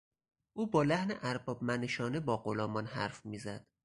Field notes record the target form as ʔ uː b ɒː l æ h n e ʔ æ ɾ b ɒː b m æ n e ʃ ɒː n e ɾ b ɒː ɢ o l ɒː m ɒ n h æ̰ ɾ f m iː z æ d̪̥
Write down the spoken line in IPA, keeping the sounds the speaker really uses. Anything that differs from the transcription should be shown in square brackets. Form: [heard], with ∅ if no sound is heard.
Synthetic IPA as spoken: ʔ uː b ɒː l æ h n e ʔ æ ɾ b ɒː b m æ n e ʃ ɒː n e [∅] b ɒː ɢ o l ɒː m ɒ n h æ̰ ɾ f m iː z æ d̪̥